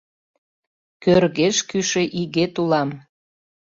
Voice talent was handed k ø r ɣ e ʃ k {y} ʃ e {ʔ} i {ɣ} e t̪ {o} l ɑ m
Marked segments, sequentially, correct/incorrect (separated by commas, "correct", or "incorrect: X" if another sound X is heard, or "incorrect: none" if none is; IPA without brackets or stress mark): correct, correct, correct, incorrect: u